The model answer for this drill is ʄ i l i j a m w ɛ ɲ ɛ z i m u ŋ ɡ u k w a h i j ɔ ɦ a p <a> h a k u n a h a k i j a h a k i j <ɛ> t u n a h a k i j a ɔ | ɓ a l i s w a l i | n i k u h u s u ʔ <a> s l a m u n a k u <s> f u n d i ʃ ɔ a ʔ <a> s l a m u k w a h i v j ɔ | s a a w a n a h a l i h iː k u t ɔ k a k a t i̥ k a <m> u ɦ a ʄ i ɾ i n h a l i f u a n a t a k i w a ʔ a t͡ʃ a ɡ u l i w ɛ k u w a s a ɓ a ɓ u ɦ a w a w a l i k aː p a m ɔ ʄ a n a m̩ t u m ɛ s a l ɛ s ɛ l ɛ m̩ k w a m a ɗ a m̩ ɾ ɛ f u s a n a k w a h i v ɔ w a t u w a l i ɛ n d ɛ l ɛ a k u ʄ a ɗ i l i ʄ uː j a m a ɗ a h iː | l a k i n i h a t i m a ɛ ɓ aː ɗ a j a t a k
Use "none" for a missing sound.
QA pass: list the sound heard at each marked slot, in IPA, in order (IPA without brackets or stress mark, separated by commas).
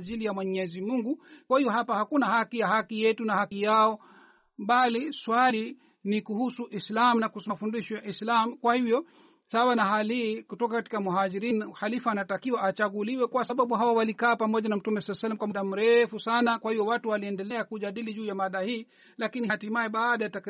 a, ɛ, i, s, i, m